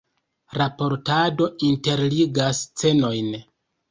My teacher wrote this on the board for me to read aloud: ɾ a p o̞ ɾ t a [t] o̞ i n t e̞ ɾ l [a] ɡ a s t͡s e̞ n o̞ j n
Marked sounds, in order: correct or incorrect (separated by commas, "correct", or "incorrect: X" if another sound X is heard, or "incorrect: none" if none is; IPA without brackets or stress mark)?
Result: incorrect: d, incorrect: i